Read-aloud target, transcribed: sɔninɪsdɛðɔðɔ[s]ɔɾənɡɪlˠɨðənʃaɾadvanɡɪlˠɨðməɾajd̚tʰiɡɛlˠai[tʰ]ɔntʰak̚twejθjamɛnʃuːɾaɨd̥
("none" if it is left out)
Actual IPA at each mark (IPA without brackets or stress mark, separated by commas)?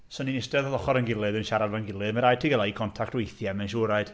χ, kʰ